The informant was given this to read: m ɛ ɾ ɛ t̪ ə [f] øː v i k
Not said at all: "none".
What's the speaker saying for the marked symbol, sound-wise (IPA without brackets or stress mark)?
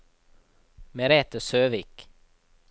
s